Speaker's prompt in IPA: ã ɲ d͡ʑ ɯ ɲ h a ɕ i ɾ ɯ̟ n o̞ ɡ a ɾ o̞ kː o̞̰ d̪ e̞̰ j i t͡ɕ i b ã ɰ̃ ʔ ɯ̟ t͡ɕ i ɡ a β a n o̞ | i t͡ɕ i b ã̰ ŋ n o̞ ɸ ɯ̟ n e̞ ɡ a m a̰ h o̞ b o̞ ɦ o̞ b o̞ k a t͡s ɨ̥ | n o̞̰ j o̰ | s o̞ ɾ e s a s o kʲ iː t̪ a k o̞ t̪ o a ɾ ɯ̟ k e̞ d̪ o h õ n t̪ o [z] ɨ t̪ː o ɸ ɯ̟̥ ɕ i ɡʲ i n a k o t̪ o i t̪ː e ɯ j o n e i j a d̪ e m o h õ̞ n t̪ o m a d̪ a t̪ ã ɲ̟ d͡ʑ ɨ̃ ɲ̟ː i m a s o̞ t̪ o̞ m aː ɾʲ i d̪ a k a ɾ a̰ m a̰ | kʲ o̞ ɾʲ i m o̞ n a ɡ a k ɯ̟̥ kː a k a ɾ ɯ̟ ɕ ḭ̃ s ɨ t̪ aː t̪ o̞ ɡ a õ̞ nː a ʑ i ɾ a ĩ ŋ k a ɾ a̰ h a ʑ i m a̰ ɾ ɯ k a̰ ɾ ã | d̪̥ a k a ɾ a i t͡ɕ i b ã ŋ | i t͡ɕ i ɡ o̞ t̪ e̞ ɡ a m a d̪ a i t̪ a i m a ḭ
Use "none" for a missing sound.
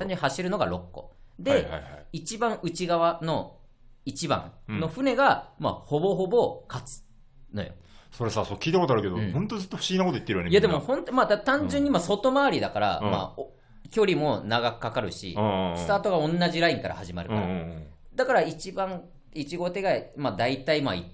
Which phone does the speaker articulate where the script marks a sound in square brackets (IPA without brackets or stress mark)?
z